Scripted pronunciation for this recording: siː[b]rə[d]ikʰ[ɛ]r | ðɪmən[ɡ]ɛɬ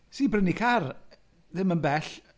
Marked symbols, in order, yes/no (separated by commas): yes, no, no, no